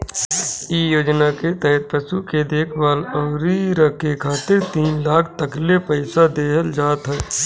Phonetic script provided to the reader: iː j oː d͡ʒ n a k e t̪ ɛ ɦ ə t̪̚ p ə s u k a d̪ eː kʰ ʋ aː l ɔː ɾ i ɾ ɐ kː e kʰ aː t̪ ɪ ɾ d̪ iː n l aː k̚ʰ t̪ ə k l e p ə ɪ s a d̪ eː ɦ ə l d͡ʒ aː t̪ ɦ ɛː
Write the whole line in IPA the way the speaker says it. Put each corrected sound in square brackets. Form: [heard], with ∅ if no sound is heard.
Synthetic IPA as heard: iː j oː d͡ʒ n a k e t̪ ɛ ɦ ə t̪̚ p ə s u k [e] d̪ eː kʰ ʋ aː l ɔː ɾ i ɾ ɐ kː e kʰ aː t̪ ɪ ɾ [t̪] iː n l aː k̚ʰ t̪ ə k l e p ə ɪ s a d̪ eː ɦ ə l d͡ʒ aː t̪ ɦ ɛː